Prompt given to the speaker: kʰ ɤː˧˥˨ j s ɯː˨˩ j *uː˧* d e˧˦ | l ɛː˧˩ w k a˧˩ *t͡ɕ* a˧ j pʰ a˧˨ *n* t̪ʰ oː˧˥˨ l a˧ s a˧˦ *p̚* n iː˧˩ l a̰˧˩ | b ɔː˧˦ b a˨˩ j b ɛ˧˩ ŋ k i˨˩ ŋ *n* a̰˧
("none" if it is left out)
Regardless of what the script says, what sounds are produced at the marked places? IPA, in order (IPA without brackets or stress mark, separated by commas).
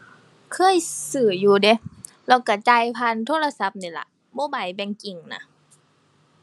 uː˧, t͡ɕ, n, p̚, n